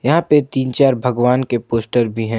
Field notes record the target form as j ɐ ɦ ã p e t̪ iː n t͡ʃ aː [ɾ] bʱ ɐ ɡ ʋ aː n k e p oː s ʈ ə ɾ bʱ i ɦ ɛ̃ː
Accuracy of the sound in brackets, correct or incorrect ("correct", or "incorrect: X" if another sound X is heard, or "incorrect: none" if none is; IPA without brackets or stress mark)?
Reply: correct